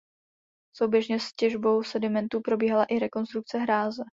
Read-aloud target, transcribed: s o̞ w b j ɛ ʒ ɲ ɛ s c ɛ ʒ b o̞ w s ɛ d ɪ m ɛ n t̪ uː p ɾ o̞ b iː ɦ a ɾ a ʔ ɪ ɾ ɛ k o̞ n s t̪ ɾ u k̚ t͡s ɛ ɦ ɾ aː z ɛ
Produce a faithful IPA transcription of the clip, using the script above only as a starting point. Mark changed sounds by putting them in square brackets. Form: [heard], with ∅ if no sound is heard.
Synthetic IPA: s o̞ w b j ɛ ʒ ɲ ɛ s c ɛ ʒ b o̞ w s ɛ d ɪ m ɛ n t̪ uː p ɾ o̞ b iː ɦ a [l] a ʔ ɪ ɾ ɛ k o̞ n s t̪ ɾ u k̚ t͡s ɛ ɦ ɾ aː z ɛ

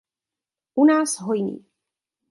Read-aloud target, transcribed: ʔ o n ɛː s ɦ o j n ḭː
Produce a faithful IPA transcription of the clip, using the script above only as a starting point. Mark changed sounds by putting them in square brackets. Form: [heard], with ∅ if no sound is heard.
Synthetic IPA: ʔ [u] n [aː] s ɦ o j n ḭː

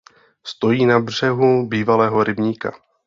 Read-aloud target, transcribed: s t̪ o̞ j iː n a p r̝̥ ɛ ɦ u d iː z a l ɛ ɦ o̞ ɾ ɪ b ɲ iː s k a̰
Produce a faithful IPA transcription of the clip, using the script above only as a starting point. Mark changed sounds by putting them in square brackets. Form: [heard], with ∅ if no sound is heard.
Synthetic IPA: s t̪ o̞ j iː n a [b] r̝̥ ɛ ɦ u [b] iː [v] a l [ɛː] ɦ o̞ ɾ ɪ b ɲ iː [∅] k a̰

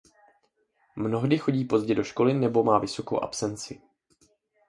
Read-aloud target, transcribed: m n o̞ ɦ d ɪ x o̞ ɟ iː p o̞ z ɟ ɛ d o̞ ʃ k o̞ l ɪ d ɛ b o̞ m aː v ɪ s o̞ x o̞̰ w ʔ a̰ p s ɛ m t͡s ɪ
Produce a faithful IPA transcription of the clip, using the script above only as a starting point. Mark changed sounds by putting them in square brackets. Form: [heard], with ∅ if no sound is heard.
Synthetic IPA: m n o̞ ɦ d ɪ x o̞ ɟ iː p o̞ z ɟ ɛ d o̞ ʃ k o̞ l ɪ [n] ɛ b o̞ m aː v ɪ s o̞ [k] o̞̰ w ʔ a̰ p s ɛ [n] t͡s ɪ

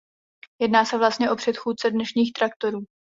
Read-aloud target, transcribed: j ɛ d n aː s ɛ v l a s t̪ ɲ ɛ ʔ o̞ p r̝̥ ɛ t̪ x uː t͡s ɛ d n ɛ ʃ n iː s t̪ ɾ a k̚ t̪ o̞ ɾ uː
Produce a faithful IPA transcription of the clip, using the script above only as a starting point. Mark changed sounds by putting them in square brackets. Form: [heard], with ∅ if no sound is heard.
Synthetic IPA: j ɛ d n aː s ɛ v l a s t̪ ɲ ɛ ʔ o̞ p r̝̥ ɛ t̪ x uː t͡s ɛ d n ɛ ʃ [ɲ] iː [x] t̪ ɾ a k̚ t̪ o̞ ɾ uː

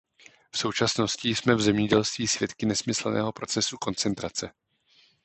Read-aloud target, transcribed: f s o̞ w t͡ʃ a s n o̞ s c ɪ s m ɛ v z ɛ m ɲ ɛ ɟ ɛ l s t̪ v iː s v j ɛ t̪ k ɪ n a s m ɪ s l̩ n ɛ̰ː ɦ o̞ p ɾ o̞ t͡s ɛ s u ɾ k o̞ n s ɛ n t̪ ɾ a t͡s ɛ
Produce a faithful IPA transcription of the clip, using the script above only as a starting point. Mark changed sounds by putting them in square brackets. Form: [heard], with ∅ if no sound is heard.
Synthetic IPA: f s o̞ w t͡ʃ a s n o̞ s c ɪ s m ɛ v z ɛ m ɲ ɛ ɟ ɛ l s t̪ v iː s v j ɛ t̪ k ɪ n [ɛ] s m ɪ s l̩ n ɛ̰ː ɦ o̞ p ɾ o̞ t͡s ɛ s u [∅] k o̞ n [t͡s] ɛ n t̪ ɾ a t͡s ɛ

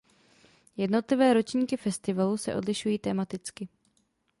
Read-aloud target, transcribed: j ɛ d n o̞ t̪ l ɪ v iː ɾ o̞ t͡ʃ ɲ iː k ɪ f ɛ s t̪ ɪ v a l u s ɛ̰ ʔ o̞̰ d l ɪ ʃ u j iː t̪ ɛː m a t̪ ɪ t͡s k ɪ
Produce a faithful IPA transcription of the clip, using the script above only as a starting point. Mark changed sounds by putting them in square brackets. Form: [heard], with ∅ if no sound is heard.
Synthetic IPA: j ɛ d n o̞ t̪ l ɪ v [ɛː] ɾ o̞ t͡ʃ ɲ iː k ɪ f ɛ s t̪ ɪ v a l u s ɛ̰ ʔ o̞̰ d l ɪ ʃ u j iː t̪ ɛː m a t̪ ɪ t͡s k ɪ

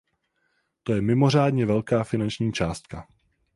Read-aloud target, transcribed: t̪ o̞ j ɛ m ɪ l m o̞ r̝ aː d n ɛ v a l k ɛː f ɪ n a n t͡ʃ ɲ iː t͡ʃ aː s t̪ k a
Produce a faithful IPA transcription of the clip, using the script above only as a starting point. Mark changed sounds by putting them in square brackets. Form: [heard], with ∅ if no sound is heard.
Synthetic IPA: t̪ o̞ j ɛ m ɪ [∅] m o̞ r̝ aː d [ɲ] ɛ v [ɛ] l k [aː] f ɪ n a n t͡ʃ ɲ iː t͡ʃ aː s t̪ k a

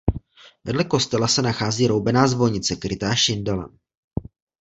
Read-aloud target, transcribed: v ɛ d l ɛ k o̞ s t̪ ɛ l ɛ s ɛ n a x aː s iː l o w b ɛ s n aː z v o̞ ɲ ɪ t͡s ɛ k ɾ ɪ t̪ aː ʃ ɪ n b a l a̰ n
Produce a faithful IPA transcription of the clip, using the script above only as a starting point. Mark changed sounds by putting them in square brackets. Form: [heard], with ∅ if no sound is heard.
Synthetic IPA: v ɛ d l ɛ k o̞ s t̪ ɛ l [a] s ɛ n a x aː [z] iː [ɾ] o w b ɛ [∅] n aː z v o̞ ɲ ɪ t͡s ɛ k ɾ ɪ t̪ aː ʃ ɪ n [d] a l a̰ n

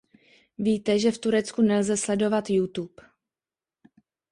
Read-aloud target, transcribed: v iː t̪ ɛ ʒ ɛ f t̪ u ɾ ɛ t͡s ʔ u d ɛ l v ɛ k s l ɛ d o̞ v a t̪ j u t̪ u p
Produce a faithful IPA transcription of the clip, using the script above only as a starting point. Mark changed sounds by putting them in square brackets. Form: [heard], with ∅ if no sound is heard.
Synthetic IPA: v iː t̪ ɛ ʒ ɛ f t̪ u ɾ ɛ t͡s [k] u [n] ɛ l [z] ɛ [∅] s l ɛ d o̞ v a t̪ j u t̪ u p

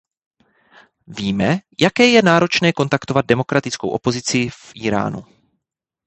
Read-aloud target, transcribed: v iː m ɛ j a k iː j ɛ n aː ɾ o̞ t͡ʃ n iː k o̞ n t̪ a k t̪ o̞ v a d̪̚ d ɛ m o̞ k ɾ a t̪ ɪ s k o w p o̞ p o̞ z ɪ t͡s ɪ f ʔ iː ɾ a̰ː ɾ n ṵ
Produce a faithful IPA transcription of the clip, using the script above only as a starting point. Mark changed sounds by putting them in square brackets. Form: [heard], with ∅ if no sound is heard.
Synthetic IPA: v iː m ɛ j a k [ɛː] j ɛ n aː ɾ o̞ t͡ʃ n [ɛː] k o̞ n t̪ a k t̪ o̞ v a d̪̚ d ɛ m o̞ k ɾ a t̪ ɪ [t͡s] k o w [ʔ] o̞ p o̞ z ɪ t͡s ɪ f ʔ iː ɾ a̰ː [∅] n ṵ

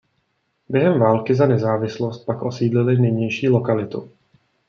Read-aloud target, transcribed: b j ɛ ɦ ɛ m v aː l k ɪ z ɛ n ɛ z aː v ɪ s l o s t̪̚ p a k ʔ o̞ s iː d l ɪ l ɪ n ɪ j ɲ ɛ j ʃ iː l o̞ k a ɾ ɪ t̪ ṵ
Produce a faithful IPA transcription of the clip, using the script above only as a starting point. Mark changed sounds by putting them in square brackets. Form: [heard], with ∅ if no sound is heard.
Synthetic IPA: b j ɛ ɦ ɛ m v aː l k ɪ z [a] n ɛ z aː v ɪ s l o s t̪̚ p a k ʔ o̞ s iː d l ɪ l ɪ n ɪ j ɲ ɛ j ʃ iː l o̞ k a [l] ɪ t̪ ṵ

